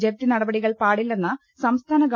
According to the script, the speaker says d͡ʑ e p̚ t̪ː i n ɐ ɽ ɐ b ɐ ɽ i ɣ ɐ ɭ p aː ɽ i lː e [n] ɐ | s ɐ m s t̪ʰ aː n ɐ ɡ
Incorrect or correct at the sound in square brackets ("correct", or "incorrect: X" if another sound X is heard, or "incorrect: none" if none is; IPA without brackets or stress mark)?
incorrect: nː